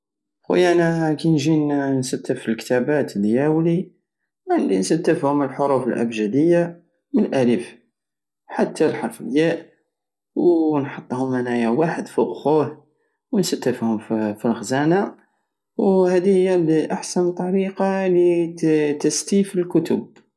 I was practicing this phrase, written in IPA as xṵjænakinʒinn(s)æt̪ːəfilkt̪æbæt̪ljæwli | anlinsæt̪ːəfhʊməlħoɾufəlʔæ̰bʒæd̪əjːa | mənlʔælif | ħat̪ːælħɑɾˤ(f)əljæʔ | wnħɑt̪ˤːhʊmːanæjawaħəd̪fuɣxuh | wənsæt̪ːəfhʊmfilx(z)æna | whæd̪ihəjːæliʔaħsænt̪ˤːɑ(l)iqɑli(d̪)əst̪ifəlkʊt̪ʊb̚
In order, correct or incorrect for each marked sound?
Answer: correct, correct, correct, incorrect, incorrect

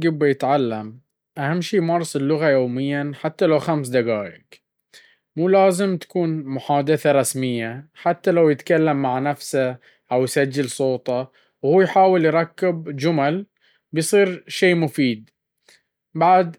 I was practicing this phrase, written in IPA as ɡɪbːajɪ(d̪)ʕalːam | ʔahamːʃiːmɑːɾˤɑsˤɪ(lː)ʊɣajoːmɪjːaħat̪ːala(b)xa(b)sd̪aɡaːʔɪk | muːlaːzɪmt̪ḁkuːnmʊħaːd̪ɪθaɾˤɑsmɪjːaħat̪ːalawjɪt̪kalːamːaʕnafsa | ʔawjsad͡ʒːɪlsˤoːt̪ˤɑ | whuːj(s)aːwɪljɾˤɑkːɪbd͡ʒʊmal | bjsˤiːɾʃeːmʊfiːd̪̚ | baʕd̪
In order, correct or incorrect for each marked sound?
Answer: incorrect, correct, incorrect, incorrect, incorrect

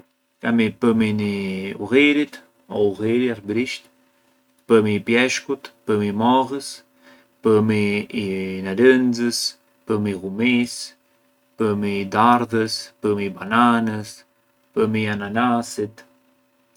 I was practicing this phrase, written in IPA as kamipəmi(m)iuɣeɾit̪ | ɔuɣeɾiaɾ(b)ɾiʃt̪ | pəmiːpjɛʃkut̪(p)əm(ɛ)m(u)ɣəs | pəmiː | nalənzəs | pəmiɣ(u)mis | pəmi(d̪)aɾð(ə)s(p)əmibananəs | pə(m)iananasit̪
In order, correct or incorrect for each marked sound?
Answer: incorrect, correct, correct, incorrect, incorrect, correct, correct, correct, correct, correct

